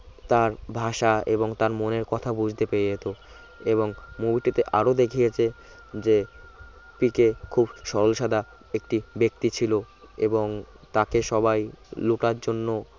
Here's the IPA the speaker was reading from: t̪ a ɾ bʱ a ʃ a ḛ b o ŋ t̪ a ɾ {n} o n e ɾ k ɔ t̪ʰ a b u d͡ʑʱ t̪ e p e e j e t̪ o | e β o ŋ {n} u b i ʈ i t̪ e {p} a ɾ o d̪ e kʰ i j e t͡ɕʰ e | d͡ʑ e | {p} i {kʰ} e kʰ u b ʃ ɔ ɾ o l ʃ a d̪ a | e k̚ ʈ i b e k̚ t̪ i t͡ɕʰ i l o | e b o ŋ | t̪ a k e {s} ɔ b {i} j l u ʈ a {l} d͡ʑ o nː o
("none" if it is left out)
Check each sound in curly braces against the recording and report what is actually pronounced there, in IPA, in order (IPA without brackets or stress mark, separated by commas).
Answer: m, m, ʔ, p, k, ʃ, a, ɾ